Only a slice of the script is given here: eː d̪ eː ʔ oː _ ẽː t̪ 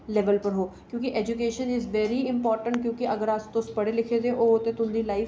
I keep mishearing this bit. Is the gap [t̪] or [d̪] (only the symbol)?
t̪